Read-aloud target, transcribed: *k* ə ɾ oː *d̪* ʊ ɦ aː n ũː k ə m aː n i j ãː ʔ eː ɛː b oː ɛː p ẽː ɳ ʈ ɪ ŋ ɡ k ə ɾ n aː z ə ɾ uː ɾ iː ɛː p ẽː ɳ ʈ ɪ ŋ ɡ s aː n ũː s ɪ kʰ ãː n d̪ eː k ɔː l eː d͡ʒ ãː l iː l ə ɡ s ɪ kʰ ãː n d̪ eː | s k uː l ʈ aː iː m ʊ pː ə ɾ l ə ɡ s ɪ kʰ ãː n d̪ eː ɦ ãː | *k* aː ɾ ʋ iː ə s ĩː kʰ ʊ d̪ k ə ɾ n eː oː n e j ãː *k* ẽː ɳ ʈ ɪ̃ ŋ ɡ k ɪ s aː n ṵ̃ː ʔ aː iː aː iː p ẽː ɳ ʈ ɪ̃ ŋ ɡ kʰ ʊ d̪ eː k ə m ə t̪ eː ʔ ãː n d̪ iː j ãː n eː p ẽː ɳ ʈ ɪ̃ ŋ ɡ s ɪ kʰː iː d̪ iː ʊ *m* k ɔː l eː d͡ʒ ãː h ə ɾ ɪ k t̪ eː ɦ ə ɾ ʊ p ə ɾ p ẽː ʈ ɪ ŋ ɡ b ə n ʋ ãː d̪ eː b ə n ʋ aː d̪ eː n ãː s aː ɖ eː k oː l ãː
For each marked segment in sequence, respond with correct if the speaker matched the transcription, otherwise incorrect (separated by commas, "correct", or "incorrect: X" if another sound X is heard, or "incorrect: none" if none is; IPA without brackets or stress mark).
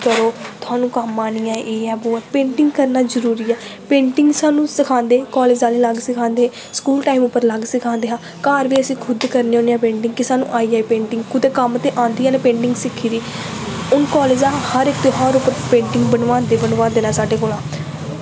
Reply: correct, incorrect: t̪, correct, incorrect: p, incorrect: n